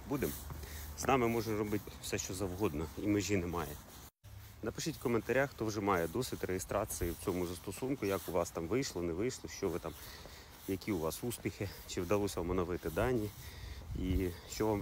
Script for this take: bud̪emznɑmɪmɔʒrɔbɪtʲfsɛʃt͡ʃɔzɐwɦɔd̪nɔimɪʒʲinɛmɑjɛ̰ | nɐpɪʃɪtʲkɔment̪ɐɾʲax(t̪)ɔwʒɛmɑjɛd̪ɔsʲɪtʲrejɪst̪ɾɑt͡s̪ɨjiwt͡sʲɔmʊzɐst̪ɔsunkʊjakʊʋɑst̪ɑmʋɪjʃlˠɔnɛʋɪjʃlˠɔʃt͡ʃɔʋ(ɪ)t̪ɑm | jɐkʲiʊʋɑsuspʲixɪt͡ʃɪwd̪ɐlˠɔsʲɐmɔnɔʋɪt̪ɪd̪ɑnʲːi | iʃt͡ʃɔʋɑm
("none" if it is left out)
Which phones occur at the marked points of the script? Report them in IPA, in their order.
t̪, ɪ

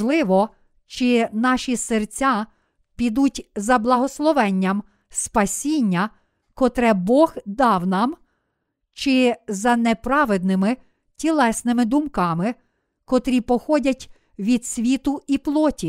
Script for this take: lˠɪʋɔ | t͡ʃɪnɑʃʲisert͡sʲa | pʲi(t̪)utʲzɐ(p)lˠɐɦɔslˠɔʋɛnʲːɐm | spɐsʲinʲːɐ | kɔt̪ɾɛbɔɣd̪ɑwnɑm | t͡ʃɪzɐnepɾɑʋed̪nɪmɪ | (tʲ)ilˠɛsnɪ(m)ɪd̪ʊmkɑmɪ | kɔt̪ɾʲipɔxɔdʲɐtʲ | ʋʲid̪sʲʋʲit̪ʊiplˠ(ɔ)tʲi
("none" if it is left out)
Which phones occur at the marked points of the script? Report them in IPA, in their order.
d̪, b, tʲ, m, ɔ

